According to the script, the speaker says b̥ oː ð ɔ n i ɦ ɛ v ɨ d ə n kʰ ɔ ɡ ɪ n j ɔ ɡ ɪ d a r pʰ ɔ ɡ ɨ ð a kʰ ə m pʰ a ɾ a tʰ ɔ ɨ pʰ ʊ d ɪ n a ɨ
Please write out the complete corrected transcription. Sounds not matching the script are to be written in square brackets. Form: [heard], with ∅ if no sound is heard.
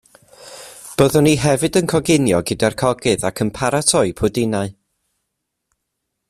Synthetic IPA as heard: b̥ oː ð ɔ n i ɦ ɛ v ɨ d ə n kʰ ɔ ɡ ɪ n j ɔ ɡ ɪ d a r [kʰ] ɔ ɡ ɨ ð a kʰ ə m pʰ a ɾ a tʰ ɔ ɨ pʰ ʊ d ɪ n a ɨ

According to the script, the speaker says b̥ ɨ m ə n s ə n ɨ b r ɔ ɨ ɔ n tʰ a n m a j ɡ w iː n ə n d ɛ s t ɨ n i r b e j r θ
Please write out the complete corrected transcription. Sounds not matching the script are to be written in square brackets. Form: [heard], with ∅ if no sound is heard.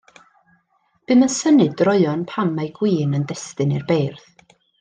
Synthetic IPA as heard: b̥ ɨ m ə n s ə n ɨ [d] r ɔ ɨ ɔ n [pʰ] a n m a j ɡ w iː n ə n d ɛ s t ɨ n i r b e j r θ

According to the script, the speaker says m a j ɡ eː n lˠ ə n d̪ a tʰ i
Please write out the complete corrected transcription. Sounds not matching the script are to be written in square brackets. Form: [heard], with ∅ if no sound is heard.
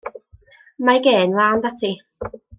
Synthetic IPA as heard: m a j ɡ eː n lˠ [a] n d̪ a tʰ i

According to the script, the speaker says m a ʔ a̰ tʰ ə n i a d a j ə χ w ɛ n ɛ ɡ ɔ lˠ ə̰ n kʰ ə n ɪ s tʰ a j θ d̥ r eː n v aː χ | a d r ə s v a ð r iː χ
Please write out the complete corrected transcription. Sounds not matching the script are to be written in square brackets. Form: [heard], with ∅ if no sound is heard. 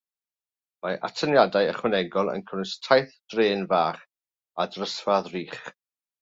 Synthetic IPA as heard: m a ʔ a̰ tʰ ə n [j] a d a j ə χ w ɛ n ɛ ɡ ɔ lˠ ə̰ n kʰ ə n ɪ s tʰ a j θ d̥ r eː n v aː χ | a d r ə s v a ð r iː χ

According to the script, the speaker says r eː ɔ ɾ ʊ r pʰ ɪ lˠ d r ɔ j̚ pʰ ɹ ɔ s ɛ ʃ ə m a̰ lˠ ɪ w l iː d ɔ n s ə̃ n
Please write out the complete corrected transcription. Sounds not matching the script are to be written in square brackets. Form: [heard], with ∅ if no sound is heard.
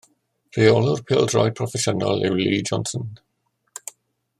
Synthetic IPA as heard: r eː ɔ [l] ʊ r pʰ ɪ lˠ d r ɔ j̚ pʰ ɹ ɔ [f] ɛ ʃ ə [n] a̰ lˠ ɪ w l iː [d͡ʒ] ɔ n s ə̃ n

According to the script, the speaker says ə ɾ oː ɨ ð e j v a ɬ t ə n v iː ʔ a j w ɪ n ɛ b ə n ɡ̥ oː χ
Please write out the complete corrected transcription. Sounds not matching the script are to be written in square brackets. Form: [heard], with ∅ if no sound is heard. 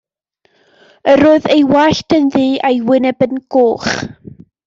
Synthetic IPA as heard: ə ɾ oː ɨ ð e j [w] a ɬ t ə n [ð] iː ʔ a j w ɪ n ɛ b ə n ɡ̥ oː χ

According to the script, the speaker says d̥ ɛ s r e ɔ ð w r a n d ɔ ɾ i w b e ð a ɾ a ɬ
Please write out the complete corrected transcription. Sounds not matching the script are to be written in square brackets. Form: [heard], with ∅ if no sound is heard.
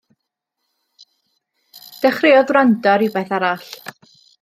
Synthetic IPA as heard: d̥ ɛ [χ] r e ɔ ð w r a n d ɔ ɾ i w b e [θ] a ɾ a ɬ

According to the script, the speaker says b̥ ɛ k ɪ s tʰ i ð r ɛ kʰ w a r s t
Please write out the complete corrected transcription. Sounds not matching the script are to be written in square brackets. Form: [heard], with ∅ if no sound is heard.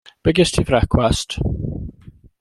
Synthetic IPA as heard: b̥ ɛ [ɡ] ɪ s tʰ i [v] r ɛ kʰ w a [∅] s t

